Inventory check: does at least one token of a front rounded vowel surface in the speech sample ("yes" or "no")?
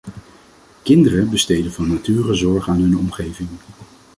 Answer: yes